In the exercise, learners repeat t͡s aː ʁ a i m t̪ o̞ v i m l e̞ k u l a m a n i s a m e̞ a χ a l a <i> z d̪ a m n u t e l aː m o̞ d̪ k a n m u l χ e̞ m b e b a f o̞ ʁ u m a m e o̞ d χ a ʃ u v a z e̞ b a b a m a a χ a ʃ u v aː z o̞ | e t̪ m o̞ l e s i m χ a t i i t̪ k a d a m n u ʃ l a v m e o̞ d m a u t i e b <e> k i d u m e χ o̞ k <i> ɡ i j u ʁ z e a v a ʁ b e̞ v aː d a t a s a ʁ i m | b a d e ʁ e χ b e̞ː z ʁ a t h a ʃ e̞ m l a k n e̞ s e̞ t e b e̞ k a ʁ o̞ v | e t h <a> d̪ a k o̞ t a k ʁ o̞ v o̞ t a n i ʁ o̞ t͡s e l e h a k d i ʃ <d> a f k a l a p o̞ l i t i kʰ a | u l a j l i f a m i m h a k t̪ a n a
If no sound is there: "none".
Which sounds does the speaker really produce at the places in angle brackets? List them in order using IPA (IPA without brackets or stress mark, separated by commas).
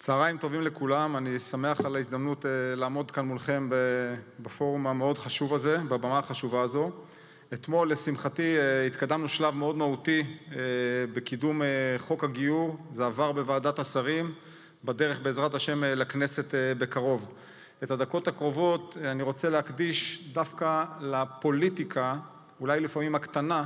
i, e, a, a, d